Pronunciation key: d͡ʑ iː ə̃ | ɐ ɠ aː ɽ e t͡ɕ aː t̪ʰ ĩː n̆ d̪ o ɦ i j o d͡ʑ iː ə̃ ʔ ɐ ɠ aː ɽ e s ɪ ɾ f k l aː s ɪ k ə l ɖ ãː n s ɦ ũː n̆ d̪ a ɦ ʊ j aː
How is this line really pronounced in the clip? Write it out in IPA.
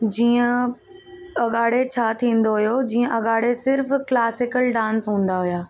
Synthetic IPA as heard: d͡ʑ iː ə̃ | ɐ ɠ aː ɽ e t͡ɕʰ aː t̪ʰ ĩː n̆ d̪ o ɦ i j o d͡ʑ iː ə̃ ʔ ɐ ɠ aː ɽ e s ɪ ɾ f k l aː s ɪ k ə l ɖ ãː n s ɦ ũː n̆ d̪ a ɦ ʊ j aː